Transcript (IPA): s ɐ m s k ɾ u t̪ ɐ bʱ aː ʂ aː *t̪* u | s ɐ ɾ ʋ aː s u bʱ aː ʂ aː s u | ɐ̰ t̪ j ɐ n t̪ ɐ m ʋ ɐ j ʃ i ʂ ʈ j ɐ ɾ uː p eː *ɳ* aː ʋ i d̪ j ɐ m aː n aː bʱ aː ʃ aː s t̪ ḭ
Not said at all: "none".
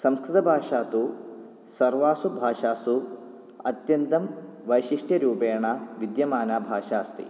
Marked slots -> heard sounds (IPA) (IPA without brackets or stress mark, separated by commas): t̪, ɳ